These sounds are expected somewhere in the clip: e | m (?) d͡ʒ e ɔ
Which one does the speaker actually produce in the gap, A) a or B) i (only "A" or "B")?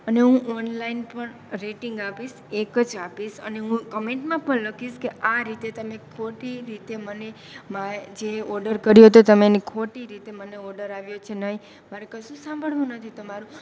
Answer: A